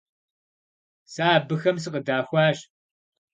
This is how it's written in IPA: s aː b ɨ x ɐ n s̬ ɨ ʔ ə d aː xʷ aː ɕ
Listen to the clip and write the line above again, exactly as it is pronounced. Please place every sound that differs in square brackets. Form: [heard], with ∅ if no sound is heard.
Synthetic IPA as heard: s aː b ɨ x ɐ [m] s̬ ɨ [q] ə d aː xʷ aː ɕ